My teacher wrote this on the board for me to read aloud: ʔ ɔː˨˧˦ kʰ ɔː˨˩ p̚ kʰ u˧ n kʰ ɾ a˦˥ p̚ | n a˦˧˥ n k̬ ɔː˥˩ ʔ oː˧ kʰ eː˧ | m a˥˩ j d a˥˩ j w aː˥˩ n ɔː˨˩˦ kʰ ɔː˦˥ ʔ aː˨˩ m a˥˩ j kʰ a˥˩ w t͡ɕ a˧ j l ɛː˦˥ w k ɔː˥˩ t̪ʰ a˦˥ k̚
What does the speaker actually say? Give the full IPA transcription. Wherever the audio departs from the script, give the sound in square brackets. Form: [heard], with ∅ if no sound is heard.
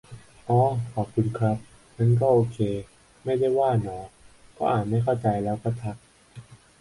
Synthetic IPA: ʔ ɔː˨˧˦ kʰ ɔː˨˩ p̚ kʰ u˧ n kʰ ɾ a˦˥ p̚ | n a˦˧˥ n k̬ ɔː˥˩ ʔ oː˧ kʰ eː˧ | m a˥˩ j d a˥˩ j w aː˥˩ n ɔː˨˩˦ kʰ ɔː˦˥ ʔ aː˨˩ m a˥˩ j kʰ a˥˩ w t͡ɕ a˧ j l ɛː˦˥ w k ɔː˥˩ t̪ʰ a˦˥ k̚

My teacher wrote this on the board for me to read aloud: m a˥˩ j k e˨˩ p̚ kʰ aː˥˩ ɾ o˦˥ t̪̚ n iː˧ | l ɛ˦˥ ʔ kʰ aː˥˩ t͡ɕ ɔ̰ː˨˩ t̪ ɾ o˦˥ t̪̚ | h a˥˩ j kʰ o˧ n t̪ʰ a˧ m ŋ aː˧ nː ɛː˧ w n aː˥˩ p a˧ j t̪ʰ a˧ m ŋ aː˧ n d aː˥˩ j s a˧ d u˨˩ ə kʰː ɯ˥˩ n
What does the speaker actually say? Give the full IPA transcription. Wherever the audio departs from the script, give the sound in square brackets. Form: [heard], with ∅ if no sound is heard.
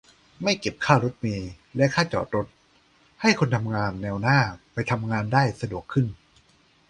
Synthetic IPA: m a˥˩ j k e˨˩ p̚ kʰ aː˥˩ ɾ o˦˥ t̪̚ [m] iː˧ | l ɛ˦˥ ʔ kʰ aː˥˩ t͡ɕ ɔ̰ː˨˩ t̪ ɾ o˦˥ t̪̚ | h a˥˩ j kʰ o˧ n t̪ʰ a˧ m ŋ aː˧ nː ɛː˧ w n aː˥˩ p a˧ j t̪ʰ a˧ m ŋ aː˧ n d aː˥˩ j s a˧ d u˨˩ ə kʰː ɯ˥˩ n

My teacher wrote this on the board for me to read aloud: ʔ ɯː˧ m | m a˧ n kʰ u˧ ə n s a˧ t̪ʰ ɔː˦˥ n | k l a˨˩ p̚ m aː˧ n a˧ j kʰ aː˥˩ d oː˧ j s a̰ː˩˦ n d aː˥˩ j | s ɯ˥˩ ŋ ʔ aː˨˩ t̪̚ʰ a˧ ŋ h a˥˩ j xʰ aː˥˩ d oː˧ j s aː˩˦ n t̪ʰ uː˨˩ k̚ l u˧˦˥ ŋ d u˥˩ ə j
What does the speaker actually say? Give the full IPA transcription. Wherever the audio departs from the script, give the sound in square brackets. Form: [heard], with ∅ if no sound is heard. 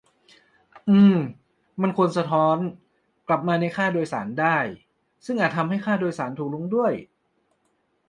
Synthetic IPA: ʔ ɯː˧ m | m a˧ n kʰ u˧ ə n s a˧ t̪ʰ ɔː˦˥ n | k l a˨˩ p̚ m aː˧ n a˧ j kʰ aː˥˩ d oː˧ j s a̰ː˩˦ n d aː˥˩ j | s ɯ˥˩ ŋ ʔ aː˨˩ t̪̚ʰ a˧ [m] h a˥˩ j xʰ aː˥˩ d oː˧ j s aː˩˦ n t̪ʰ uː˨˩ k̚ l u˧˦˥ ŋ d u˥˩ ə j

